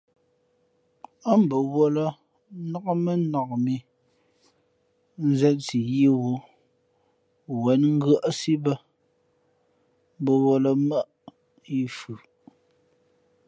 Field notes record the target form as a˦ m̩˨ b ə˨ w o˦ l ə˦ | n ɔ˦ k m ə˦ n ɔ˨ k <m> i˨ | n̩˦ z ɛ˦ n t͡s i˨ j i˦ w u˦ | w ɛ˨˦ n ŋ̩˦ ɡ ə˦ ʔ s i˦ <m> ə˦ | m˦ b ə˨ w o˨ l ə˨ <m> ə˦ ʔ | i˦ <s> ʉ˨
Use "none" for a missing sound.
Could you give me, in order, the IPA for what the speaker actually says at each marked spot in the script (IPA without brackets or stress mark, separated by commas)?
m, b, m, f